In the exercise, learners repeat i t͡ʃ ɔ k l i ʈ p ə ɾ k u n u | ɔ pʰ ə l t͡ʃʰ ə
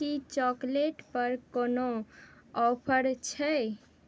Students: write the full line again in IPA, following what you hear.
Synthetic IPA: i t͡ʃ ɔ k l e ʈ p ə ɾ k o n o | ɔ pʰ ə ɾ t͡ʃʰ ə